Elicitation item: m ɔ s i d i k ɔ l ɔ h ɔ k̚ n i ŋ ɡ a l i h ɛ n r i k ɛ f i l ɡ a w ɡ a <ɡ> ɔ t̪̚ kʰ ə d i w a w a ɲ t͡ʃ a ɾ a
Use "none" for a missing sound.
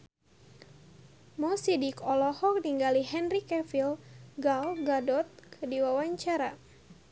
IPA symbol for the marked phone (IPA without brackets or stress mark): d